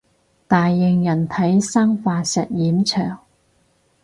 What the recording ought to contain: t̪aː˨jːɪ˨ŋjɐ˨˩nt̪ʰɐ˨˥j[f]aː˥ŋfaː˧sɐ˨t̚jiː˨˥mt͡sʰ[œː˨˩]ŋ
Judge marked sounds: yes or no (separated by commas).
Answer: no, yes